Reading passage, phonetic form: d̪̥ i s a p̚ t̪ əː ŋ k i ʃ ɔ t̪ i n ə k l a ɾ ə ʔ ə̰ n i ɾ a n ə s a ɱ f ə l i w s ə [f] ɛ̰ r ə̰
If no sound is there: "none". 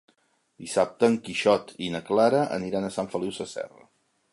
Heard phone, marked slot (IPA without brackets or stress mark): s